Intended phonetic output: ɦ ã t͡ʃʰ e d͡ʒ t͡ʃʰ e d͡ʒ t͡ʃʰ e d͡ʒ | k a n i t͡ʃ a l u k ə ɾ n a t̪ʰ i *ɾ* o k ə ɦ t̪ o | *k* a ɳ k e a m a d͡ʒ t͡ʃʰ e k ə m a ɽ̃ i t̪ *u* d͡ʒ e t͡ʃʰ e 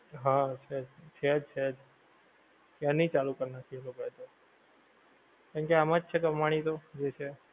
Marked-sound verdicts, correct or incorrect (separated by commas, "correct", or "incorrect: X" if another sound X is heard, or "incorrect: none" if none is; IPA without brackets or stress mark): incorrect: l, correct, incorrect: o